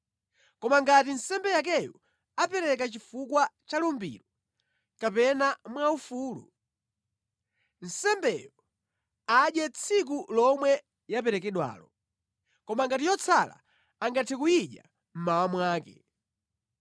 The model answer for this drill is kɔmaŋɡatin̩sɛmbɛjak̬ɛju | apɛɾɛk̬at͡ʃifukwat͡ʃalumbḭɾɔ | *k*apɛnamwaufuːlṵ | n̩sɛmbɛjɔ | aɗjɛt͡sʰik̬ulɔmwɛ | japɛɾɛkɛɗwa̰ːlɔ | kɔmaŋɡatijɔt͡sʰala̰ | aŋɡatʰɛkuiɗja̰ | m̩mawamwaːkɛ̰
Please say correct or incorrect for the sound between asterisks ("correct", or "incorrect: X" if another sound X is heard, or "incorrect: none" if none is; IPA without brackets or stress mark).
correct